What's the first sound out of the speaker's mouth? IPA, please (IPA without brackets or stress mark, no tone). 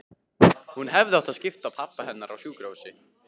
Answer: h